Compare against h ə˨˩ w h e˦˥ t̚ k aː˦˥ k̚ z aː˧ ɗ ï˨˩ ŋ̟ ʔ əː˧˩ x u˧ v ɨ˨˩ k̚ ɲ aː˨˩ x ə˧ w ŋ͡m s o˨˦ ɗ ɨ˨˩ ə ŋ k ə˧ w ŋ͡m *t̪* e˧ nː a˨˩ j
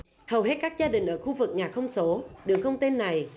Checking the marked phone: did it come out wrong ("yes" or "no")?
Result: no